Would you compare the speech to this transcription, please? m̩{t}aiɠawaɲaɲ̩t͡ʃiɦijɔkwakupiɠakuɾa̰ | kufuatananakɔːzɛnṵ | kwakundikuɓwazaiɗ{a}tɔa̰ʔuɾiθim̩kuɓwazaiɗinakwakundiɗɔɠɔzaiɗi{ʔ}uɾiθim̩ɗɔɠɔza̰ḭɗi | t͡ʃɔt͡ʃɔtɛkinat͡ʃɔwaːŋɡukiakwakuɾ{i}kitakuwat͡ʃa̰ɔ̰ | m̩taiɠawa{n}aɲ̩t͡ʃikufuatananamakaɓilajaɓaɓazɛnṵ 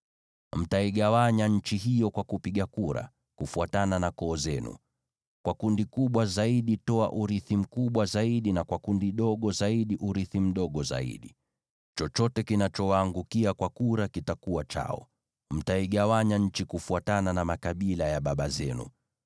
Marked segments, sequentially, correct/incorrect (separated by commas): correct, incorrect, correct, incorrect, incorrect